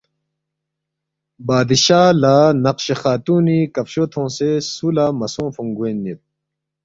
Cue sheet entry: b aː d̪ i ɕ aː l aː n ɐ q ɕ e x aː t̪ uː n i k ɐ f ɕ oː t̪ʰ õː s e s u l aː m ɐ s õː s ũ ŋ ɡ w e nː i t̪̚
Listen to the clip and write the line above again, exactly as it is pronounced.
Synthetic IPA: b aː d̪ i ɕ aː l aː n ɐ q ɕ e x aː t̪ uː n i k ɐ f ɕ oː t̪ʰ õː s e s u l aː m ɐ s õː f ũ ŋ ɡ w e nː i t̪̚